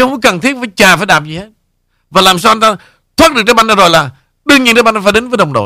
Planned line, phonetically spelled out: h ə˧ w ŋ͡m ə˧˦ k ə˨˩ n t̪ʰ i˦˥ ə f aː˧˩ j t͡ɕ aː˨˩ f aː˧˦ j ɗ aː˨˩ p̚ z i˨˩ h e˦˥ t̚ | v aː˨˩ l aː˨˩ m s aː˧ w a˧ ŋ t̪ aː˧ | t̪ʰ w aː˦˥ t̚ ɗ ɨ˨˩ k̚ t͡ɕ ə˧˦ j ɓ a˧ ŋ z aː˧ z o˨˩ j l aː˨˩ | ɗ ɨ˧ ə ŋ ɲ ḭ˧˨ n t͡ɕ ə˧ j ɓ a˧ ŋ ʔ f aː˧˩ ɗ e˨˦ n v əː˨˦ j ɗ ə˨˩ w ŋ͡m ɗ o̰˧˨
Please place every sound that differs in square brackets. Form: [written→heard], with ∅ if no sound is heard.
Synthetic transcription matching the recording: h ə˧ w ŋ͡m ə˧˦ k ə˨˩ n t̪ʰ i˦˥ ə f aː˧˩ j t͡ɕ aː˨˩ f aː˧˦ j ɗ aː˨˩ p̚ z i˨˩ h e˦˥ t̚ | v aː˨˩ l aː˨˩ m s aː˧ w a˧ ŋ t̪ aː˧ | t̪ʰ w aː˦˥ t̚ ɗ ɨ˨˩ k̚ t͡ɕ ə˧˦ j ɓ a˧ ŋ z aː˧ z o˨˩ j l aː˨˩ | ɗ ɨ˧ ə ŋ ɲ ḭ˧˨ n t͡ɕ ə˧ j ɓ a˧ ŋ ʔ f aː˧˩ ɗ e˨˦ n v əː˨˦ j ɗ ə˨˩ w ŋ͡m ɗ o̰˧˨